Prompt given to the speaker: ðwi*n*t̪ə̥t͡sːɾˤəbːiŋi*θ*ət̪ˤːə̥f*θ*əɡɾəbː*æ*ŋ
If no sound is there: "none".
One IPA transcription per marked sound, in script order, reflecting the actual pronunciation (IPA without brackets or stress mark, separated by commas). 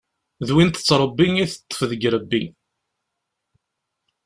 n, θ, ð, i